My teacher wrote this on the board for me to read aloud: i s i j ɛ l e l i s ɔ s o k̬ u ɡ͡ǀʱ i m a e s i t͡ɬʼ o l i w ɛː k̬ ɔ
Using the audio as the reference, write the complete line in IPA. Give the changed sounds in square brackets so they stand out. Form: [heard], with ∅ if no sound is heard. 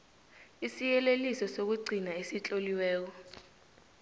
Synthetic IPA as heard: i s i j ɛ l e l i s ɔ s o k̬ u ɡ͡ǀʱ i [n] a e s i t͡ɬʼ o l i w ɛː k̬ ɔ